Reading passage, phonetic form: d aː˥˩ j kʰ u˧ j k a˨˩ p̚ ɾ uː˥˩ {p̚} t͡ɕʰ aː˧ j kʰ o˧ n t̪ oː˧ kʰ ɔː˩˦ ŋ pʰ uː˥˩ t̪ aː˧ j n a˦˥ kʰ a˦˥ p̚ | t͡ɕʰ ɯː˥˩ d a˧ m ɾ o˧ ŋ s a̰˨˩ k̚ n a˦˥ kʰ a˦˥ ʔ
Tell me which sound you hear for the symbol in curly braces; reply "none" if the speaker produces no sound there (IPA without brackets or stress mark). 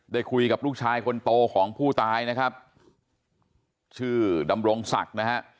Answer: k̚